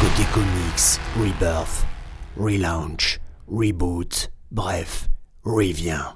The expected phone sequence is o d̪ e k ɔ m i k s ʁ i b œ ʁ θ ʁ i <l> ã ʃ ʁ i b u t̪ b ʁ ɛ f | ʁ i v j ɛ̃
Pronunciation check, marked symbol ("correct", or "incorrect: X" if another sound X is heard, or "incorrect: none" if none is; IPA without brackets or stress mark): correct